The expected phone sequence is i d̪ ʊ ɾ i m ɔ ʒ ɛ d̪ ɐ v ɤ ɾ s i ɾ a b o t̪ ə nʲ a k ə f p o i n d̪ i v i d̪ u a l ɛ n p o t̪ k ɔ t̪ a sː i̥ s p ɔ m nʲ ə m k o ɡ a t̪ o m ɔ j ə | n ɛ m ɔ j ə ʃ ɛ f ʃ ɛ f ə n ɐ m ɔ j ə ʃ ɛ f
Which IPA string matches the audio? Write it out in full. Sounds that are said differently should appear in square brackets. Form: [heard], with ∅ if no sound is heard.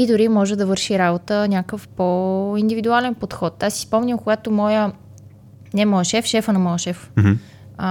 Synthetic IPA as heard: i d̪ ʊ ɾ i m ɔ ʒ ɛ d̪ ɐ v ɤ ɾ [ʃ] i ɾ a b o t̪ ə nʲ a k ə f p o i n d̪ i v i d̪ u a l ɛ n p o t̪ [x] ɔ t̪ a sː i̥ s p ɔ m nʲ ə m k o ɡ a t̪ o m ɔ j ə | n ɛ m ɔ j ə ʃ ɛ f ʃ ɛ f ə n ɐ m ɔ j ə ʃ ɛ f